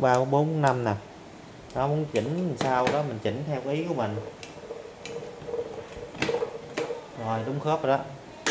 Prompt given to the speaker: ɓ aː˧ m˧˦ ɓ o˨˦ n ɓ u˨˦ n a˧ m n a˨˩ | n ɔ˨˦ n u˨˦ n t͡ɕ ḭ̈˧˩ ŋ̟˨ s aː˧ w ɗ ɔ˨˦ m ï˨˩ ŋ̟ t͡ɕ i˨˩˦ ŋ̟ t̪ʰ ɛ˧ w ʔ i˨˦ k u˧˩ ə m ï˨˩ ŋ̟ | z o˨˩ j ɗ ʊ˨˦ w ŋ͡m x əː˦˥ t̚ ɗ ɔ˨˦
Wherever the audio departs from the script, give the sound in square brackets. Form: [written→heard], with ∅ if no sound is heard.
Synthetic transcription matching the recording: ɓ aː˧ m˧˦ ɓ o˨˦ n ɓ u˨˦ n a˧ m n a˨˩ | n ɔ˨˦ [n→m] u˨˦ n t͡ɕ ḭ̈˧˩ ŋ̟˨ s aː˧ w ɗ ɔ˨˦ m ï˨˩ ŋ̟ t͡ɕ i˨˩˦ ŋ̟ t̪ʰ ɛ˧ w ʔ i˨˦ k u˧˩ ə m ï˨˩ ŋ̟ | z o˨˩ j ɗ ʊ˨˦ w ŋ͡m x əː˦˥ [t̚→p̚] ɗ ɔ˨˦

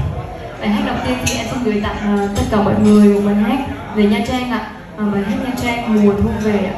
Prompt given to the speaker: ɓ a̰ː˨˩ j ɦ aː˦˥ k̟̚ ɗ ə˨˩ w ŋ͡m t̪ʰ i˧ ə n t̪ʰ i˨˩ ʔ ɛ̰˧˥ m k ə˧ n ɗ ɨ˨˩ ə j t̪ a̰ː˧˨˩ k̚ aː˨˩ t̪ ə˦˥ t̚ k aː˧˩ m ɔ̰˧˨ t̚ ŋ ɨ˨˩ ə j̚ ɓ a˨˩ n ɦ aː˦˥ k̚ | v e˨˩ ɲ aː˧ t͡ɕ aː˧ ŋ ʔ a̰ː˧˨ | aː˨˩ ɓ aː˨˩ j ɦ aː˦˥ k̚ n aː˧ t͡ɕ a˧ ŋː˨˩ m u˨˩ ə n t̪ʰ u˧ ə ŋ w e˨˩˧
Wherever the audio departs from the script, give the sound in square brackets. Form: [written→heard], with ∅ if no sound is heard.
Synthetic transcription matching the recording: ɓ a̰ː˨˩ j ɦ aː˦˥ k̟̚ ɗ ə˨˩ w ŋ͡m [t̪ʰ→t̪] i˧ ə n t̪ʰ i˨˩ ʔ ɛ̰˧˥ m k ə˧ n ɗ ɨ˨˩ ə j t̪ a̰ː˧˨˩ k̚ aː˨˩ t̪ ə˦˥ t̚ k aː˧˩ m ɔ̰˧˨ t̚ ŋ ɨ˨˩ ə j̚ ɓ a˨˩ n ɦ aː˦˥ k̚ | v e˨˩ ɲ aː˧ t͡ɕ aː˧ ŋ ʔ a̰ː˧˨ | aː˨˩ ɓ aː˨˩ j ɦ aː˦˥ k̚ [n→ɲ] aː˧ t͡ɕ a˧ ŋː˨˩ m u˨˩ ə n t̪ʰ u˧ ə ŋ [w→v] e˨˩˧

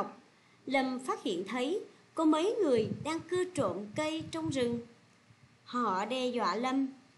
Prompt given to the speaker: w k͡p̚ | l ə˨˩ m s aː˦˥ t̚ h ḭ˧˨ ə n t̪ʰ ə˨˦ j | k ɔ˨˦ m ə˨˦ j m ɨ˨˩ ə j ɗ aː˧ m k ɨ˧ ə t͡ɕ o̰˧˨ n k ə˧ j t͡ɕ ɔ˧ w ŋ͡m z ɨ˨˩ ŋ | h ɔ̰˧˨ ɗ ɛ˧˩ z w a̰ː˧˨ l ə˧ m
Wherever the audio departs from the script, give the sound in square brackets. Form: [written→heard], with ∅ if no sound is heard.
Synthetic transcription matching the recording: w k͡p̚ | l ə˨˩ m [s→f] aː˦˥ t̚ h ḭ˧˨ ə n t̪ʰ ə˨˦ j | k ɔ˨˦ m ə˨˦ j [m→ŋ] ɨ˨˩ ə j ɗ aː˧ [m→ŋ] k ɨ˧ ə t͡ɕ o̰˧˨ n k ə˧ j t͡ɕ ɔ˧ w ŋ͡m z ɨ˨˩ ŋ | h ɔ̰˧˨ ɗ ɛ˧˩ z w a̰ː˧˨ l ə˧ m

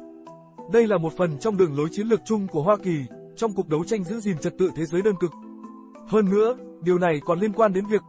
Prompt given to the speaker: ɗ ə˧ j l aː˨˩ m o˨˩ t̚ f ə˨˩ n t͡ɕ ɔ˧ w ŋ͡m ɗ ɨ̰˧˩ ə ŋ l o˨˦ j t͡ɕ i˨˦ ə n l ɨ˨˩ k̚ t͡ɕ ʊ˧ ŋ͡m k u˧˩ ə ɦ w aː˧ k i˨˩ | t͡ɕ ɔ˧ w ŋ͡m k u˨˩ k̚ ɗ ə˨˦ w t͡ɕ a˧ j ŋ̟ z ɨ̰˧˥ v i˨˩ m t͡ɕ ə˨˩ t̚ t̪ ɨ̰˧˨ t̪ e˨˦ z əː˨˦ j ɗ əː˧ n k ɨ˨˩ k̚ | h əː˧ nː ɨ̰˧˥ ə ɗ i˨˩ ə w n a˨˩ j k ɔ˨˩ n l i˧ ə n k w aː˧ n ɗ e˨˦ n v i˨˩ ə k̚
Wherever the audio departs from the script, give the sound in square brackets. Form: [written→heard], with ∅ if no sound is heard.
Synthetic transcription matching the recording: ɗ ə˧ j l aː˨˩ m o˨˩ t̚ f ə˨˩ n t͡ɕ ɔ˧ w ŋ͡m ɗ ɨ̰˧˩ ə ŋ l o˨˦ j t͡ɕ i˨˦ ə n l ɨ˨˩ k̚ t͡ɕ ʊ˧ ŋ͡m k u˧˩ ə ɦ w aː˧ k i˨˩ | t͡ɕ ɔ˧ w ŋ͡m k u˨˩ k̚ ɗ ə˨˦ w t͡ɕ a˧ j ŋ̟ z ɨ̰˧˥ [v→z] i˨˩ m t͡ɕ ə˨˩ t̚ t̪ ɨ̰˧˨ [t̪→t̪ʰ] e˨˦ z əː˨˦ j ɗ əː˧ n k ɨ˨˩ k̚ | h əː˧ nː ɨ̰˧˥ ə ɗ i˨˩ ə w n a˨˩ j k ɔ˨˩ n l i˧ ə n k w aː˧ n ɗ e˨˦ n v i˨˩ ə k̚

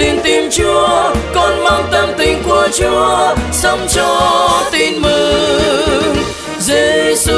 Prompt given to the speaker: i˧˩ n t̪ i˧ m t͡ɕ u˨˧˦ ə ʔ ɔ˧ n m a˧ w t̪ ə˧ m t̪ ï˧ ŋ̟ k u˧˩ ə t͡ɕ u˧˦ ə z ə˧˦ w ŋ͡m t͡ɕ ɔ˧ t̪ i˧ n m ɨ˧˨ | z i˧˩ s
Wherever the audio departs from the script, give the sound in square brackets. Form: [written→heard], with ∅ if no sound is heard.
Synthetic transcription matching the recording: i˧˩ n t̪ i˧ m t͡ɕ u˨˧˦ ə [ʔ→k] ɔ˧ n m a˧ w t̪ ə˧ m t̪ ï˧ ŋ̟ k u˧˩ ə t͡ɕ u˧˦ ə [z→s] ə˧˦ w ŋ͡m t͡ɕ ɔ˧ t̪ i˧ n m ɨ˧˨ | z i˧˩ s

